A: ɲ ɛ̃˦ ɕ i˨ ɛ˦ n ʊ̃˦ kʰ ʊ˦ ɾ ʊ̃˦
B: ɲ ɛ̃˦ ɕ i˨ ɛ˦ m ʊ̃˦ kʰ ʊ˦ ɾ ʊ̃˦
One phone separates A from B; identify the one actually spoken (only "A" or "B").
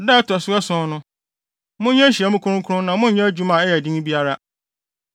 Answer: B